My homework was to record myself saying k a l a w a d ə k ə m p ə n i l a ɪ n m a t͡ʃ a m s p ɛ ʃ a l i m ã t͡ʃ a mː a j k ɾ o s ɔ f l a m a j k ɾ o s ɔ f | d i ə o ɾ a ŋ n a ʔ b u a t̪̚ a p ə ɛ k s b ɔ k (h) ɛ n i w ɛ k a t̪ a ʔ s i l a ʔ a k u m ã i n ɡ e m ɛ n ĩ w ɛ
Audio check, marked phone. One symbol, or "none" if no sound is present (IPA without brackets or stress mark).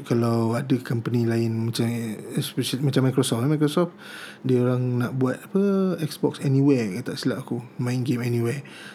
s